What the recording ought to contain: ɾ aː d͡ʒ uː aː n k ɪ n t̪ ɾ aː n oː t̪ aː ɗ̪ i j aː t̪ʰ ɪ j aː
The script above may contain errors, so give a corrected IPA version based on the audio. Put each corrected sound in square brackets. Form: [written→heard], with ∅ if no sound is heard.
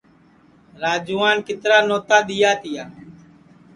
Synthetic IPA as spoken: ɾ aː d͡ʒ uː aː n k ɪ [n→∅] t̪ ɾ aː n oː t̪ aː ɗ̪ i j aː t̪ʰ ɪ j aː